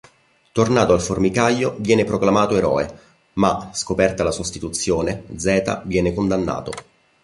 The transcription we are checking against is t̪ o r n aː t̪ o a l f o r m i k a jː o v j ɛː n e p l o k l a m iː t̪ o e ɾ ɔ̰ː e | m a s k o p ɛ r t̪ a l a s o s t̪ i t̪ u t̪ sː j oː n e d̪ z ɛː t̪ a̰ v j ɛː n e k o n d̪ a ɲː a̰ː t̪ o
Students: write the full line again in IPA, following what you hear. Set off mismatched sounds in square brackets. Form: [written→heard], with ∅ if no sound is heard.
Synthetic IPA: t̪ o r n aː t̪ o a l f o r m i k a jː o v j ɛː n e p [l→ɾ] o k l a m [iː→aː] t̪ o e ɾ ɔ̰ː e | m a s k o p ɛ r t̪ a l a s o s t̪ i t̪ u t̪ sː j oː n e d̪ z ɛː t̪ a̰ v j ɛː n e k o n d̪ a [ɲː→nː] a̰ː t̪ o